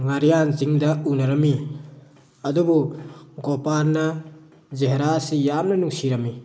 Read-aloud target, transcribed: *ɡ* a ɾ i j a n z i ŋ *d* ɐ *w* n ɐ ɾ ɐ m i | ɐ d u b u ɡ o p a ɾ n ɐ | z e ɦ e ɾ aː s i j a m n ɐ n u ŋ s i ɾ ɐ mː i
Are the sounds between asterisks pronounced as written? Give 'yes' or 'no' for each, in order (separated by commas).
no, yes, no